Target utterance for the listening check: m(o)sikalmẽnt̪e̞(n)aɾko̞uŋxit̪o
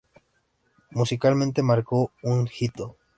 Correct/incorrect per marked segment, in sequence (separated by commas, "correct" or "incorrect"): incorrect, incorrect